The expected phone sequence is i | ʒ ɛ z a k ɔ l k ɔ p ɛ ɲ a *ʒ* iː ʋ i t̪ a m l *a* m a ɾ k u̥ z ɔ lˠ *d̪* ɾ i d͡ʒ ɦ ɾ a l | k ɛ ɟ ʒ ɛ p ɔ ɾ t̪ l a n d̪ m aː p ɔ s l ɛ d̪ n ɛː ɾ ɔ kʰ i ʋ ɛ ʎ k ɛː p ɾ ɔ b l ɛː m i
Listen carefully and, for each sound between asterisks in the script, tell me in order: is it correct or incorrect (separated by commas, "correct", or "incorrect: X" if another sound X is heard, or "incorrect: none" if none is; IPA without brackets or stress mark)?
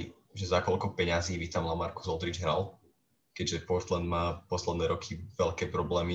incorrect: z, correct, correct